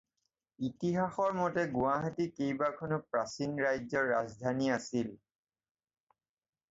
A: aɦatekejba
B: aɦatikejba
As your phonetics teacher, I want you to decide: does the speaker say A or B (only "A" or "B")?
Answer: B